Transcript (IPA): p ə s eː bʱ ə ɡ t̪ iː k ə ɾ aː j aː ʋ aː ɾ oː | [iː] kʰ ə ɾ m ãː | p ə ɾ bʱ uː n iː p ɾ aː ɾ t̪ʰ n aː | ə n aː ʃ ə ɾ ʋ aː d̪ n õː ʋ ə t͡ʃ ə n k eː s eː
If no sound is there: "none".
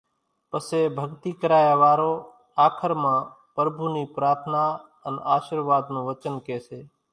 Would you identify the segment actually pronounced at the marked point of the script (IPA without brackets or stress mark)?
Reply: aː